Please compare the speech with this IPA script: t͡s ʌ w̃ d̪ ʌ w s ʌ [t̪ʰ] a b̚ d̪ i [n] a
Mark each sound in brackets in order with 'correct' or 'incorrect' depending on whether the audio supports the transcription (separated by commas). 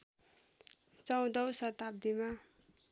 incorrect, incorrect